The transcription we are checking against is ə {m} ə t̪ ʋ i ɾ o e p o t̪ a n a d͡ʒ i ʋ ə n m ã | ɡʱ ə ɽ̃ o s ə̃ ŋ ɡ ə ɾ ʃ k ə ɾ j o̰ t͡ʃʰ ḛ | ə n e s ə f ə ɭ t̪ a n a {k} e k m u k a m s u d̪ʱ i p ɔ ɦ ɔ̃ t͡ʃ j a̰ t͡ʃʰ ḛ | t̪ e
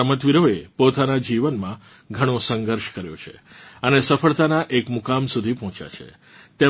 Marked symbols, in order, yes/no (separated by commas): yes, no